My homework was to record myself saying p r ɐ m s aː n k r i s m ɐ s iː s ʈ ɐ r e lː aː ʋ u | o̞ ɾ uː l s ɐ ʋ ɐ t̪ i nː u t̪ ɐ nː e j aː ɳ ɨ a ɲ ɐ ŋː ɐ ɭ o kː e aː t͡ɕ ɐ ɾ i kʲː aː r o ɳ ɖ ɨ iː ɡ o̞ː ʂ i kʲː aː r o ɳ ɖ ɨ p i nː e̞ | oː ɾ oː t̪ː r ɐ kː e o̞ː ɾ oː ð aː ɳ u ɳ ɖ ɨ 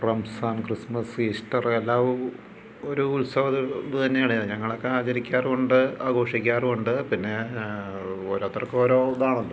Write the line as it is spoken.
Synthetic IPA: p r ɐ m s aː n k r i s m ɐ s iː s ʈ ɐ r e lː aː ʋ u | o̞ ɾ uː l s ɐ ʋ ɐ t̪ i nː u t̪ ɐ nː e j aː ɳ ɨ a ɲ ɐ ŋː ɐ ɭ o kː e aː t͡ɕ ɐ ɾ i kʲː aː r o ɳ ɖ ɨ aː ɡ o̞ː ʂ i kʲː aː r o ɳ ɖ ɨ p i nː e̞ | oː ɾ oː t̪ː r ɐ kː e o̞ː ɾ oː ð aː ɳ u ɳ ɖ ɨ